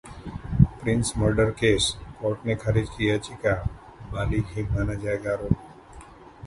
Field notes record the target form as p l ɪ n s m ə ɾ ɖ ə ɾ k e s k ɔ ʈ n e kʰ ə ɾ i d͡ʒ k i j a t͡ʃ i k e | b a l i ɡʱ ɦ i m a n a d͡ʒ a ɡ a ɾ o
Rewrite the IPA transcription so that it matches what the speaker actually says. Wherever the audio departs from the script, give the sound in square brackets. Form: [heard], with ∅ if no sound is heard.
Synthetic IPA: p [ɾ] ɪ n s m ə ɾ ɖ ə ɾ k e s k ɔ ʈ n e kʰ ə ɾ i d͡ʒ k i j a t͡ʃ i k [a] | b a l i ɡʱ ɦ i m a n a d͡ʒ a ɡ a ɾ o